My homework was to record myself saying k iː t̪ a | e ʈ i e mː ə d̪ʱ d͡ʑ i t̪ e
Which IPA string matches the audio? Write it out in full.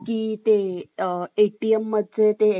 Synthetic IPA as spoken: k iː t̪ e | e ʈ i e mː ə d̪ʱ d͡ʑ e t̪ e